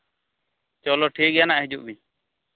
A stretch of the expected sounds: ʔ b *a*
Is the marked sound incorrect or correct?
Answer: incorrect